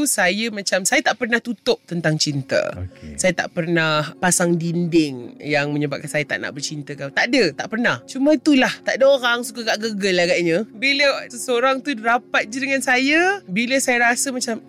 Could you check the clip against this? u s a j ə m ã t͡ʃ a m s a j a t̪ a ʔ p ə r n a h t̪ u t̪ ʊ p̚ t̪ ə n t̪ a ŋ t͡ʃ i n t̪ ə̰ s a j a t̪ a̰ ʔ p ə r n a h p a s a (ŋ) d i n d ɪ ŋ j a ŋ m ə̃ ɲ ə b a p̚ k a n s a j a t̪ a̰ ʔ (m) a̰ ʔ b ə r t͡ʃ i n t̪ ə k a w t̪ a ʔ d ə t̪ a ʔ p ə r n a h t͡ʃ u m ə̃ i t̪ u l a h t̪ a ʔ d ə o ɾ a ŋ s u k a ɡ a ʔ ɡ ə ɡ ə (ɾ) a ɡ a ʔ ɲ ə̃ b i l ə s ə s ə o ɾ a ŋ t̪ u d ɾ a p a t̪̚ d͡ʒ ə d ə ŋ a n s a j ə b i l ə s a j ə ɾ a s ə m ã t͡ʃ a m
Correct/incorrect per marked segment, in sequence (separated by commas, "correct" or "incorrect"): correct, incorrect, incorrect